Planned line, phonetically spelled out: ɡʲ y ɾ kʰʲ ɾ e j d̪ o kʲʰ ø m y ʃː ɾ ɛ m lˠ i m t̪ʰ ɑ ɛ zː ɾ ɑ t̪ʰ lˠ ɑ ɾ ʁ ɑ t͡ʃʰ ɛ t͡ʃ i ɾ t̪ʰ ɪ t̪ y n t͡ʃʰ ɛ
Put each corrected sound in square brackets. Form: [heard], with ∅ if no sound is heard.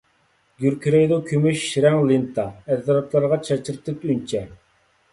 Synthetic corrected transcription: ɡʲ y ɾ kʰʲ ɾ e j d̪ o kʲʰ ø m y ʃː ɾ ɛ [ŋ] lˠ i [n] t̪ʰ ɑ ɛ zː ɾ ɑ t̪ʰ lˠ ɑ ɾ ʁ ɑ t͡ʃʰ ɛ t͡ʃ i ɾ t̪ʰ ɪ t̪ y n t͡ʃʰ ɛ